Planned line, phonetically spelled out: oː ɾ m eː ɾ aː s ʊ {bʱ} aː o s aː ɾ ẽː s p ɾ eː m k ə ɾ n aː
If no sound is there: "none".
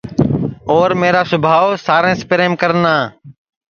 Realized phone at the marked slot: bʱ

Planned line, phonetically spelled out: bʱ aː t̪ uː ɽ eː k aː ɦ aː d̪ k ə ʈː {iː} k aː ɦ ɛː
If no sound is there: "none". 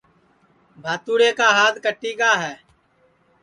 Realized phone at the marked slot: iː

